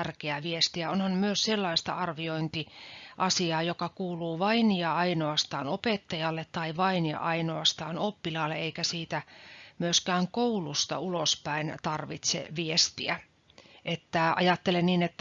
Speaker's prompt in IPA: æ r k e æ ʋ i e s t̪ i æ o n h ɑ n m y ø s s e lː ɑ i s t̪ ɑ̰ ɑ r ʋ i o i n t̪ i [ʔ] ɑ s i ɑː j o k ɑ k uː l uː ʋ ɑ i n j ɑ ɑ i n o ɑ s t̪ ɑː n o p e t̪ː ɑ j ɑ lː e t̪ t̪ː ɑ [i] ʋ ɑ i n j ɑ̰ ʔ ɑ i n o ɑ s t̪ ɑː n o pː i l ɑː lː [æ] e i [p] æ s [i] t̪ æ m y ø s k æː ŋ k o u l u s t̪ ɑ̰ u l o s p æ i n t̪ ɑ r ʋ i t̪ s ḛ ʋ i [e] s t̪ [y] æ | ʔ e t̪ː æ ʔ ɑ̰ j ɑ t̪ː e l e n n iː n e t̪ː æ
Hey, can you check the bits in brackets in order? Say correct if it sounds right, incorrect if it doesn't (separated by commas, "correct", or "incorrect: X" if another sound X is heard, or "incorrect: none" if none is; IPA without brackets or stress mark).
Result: correct, correct, incorrect: e, incorrect: k, incorrect: iː, correct, incorrect: i